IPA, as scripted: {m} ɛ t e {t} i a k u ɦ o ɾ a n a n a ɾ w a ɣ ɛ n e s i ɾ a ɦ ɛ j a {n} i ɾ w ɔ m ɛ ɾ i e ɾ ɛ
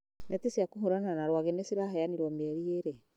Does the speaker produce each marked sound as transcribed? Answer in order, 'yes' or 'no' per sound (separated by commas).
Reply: no, no, yes